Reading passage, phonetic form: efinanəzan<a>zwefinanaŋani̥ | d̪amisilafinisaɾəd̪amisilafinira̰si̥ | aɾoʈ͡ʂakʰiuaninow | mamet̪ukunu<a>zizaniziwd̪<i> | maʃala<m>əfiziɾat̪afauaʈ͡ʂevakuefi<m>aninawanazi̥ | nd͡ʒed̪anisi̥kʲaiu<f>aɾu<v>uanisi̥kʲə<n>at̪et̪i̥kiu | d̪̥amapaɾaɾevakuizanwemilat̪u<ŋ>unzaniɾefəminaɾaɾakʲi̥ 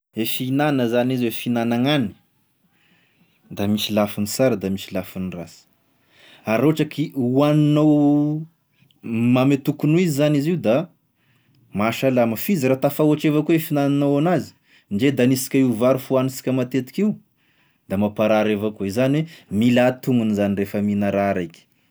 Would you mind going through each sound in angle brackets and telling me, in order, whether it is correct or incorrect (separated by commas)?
incorrect, incorrect, incorrect, correct, incorrect, incorrect, incorrect, incorrect, correct